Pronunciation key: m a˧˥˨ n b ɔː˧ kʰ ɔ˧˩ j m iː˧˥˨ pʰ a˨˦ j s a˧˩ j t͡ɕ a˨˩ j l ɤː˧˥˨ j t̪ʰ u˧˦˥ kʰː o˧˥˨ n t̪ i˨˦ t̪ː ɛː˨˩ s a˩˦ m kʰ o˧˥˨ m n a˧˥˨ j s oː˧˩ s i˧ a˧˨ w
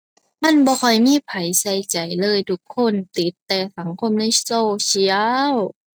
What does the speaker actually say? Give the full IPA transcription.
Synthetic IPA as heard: m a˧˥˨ n b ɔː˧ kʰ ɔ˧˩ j m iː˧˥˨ pʰ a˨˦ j s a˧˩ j t͡ɕ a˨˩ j l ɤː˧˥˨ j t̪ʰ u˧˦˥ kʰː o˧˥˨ n t̪ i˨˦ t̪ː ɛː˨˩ s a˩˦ ŋ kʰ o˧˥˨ m n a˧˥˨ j s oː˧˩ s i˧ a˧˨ w